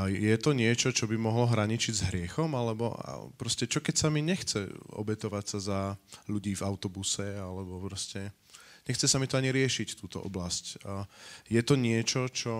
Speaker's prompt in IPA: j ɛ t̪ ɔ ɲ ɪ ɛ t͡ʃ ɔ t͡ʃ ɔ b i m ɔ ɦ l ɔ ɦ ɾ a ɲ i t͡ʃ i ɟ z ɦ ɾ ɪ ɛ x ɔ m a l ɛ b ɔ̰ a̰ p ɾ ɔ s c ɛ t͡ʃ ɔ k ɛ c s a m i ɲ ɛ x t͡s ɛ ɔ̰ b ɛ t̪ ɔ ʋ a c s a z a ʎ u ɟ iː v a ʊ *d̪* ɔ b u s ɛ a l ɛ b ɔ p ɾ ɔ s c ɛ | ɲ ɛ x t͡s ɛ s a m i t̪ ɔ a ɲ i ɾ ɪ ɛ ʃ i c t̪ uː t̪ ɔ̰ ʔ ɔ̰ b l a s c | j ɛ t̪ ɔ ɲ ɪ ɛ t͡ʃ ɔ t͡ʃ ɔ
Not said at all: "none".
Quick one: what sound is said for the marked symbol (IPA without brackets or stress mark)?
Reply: t̪